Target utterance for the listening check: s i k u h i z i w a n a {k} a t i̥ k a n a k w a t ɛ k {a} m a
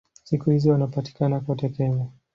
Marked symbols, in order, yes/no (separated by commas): no, no